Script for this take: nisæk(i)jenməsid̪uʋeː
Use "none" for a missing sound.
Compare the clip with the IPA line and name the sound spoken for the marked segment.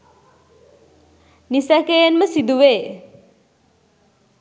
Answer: e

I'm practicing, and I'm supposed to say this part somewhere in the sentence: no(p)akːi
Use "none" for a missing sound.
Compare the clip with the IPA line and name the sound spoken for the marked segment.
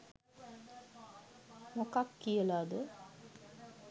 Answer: k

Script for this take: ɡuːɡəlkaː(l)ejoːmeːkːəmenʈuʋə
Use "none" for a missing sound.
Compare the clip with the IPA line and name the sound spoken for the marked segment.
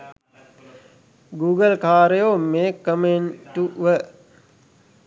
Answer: ɾ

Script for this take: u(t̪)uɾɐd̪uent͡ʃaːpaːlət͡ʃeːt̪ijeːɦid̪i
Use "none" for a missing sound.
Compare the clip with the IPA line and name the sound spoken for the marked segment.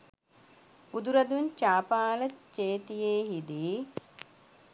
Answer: d̪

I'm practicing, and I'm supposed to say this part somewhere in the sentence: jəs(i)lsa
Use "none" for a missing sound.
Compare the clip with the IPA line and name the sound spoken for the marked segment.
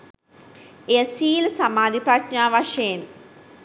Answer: iː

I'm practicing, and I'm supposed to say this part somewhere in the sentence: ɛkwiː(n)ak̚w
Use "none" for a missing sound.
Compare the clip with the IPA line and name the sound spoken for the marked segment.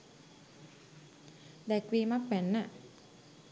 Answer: m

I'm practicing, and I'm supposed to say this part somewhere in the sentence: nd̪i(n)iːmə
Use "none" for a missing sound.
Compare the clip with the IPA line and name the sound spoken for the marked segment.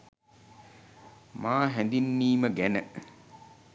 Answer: nː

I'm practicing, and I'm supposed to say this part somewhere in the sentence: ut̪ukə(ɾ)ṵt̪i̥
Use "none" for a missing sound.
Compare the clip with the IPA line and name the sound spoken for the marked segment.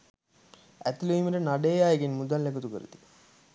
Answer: ɾ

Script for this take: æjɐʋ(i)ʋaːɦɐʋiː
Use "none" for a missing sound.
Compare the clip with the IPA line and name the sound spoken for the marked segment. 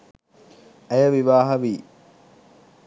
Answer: i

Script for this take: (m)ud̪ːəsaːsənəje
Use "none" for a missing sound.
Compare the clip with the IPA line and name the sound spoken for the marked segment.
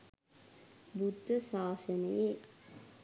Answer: b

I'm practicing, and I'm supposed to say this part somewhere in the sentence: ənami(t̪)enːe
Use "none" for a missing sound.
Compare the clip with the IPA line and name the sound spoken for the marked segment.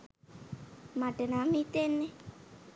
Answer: t̪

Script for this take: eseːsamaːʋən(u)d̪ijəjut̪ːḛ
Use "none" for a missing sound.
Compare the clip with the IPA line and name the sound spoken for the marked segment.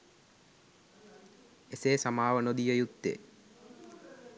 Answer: o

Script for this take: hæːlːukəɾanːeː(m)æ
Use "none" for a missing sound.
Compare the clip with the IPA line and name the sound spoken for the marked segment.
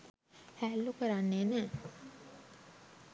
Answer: n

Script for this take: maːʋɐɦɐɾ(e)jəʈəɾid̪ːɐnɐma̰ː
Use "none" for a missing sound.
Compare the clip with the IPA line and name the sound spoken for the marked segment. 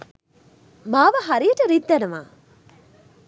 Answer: i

